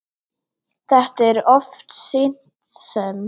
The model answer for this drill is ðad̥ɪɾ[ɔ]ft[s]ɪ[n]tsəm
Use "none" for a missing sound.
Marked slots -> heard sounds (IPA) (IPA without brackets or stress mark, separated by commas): ɔ, s, n